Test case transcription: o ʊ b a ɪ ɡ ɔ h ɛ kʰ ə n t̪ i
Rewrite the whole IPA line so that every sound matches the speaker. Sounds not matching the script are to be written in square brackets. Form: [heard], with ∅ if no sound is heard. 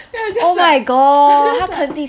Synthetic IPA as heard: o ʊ [m] a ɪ ɡ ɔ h [a] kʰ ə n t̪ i